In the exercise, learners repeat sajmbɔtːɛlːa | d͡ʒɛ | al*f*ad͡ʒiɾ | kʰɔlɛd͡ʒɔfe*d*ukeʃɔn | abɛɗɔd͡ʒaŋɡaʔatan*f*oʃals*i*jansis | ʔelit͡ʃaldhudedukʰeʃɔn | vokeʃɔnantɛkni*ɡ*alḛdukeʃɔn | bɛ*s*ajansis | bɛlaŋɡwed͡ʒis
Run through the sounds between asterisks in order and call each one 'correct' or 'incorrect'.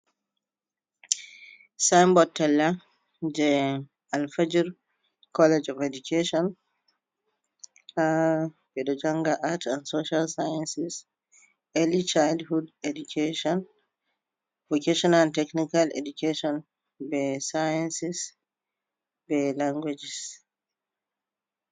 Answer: correct, correct, incorrect: s, incorrect: a, incorrect: k, correct

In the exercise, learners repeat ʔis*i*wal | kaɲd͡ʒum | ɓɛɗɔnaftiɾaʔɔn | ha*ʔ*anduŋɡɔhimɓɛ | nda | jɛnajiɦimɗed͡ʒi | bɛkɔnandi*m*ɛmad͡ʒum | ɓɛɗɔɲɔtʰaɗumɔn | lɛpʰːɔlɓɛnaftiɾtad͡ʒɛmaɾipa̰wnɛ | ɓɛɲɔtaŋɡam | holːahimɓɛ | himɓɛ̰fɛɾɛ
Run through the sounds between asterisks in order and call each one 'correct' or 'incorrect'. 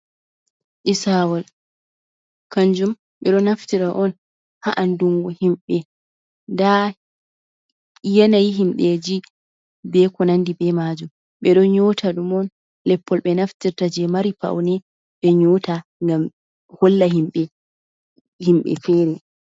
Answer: incorrect: a, correct, incorrect: b

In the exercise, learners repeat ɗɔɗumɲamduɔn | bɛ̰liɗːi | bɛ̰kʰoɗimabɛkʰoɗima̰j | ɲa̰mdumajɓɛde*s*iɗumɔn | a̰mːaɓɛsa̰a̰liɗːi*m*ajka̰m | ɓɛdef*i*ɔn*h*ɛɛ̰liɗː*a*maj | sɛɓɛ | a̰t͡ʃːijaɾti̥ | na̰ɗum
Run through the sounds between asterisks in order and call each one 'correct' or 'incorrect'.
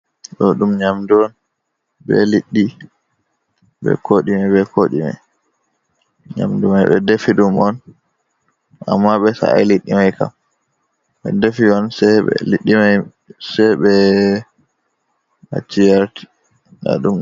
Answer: incorrect: f, correct, correct, incorrect: s, incorrect: i

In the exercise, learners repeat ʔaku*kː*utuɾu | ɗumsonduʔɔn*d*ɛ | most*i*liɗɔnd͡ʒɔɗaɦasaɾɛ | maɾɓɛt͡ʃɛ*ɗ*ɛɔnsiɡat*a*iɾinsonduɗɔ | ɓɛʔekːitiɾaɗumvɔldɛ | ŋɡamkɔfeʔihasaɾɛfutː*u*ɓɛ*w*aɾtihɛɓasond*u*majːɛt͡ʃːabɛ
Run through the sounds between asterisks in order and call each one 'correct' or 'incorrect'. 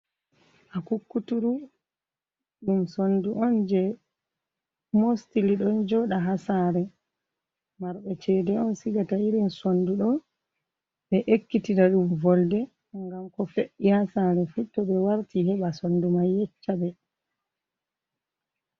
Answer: correct, incorrect: d͡ʒ, correct, incorrect: d, correct, incorrect: ɔ, correct, correct

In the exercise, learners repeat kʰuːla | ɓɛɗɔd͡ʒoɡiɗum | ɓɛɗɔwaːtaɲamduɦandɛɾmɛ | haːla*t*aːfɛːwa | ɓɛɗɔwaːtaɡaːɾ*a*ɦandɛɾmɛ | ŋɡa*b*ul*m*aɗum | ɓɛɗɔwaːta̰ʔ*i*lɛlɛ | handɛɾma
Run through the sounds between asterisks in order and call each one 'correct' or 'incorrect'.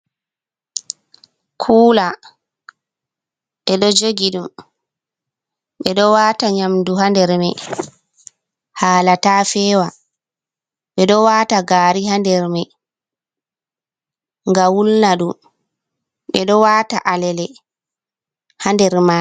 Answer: correct, incorrect: i, incorrect: w, incorrect: n, incorrect: a

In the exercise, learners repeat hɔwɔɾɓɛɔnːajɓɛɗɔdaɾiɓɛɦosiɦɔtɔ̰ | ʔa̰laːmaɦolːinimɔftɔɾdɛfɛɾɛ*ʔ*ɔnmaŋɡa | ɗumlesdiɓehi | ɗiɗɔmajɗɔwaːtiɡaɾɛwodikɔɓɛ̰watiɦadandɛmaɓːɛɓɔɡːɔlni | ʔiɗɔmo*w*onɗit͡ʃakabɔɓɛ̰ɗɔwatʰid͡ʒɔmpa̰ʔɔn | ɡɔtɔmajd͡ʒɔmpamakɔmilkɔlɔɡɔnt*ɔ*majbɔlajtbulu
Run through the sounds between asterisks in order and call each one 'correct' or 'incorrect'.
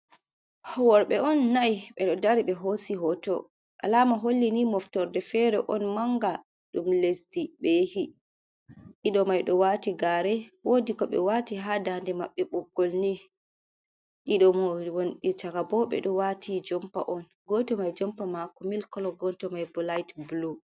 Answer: correct, correct, correct

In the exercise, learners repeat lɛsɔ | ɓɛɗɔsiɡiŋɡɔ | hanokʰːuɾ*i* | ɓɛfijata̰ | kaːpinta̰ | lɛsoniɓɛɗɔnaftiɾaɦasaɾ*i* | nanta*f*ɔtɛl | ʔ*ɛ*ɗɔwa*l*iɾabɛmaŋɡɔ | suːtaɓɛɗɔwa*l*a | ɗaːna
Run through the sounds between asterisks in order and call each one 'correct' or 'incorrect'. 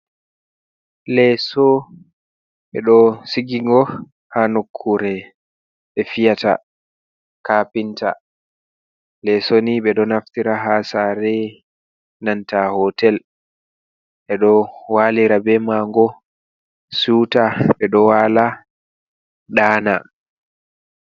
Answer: incorrect: ɛ, incorrect: ɛ, incorrect: h, correct, correct, correct

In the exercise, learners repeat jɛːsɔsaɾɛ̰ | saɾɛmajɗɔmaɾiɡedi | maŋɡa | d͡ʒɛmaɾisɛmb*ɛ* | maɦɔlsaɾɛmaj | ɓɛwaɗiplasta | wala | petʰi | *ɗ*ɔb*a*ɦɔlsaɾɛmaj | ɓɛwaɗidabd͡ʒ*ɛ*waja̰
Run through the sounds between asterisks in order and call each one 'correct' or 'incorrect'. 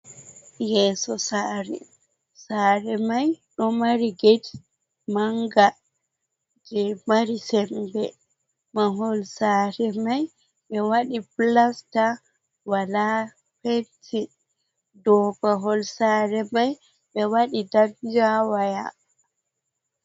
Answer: correct, incorrect: d, correct, incorrect: a

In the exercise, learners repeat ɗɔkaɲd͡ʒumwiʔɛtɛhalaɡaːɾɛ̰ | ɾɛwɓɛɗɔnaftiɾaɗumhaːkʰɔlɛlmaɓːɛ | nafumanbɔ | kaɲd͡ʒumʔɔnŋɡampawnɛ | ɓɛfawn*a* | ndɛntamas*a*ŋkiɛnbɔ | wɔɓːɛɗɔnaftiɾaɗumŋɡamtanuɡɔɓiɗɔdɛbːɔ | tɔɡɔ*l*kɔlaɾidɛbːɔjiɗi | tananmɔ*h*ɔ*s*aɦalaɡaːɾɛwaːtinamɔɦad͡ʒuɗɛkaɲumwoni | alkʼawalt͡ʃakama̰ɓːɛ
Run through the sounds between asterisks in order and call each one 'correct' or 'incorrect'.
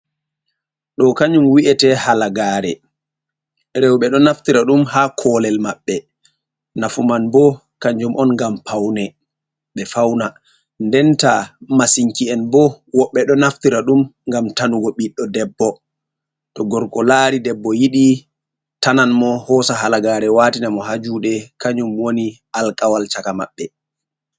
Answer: correct, incorrect: i, incorrect: ɾ, correct, correct

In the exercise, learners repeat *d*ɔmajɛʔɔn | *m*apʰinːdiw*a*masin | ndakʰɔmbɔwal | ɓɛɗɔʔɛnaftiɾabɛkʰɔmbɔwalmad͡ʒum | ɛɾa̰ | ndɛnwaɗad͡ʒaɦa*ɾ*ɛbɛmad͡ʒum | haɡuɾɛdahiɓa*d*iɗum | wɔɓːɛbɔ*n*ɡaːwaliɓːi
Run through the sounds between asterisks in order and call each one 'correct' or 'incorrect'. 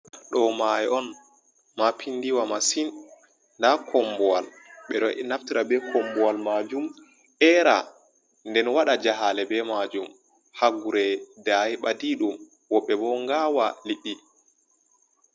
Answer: incorrect: ɗ, correct, correct, incorrect: l, correct, incorrect: ŋ

